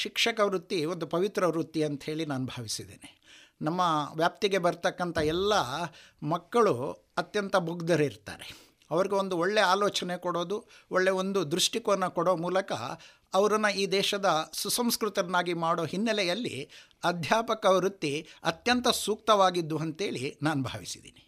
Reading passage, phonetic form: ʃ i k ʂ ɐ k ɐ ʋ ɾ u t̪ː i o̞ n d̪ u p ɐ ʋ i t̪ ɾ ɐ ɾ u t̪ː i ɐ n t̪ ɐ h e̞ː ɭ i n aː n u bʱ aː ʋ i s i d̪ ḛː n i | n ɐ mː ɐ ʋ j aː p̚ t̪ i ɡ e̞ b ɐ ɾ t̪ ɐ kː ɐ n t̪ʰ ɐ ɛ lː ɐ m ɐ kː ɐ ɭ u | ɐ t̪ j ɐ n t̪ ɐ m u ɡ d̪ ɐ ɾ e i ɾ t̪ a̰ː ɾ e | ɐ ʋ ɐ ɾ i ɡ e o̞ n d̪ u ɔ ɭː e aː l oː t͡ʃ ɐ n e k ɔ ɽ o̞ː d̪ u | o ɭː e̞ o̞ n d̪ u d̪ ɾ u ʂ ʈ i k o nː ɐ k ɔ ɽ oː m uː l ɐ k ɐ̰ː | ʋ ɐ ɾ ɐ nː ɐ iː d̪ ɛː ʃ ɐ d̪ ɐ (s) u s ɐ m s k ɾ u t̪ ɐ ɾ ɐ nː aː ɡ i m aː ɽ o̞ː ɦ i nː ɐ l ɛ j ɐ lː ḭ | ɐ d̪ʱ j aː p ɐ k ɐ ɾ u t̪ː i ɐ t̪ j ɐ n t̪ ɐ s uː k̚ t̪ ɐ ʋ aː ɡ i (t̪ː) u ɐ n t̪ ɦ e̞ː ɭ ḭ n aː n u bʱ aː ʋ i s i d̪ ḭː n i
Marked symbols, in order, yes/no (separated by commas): yes, no